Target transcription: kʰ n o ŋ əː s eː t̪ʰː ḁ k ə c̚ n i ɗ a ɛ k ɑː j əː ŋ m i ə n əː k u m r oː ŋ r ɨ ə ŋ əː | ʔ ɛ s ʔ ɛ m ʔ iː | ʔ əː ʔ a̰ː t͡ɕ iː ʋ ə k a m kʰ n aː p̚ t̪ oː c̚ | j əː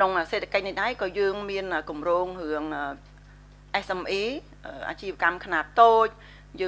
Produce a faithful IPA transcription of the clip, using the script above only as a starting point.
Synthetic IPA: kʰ n o ŋ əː s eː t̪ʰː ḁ k ə c̚ n i ɗ a ɛ k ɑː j əː ŋ m i ə n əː k u m r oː ŋ r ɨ ə ŋ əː | ʔ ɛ s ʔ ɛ m ʔ iː | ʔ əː ʔ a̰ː t͡ɕ iː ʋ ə k a m kʰ n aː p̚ t̪ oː c̚ | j əː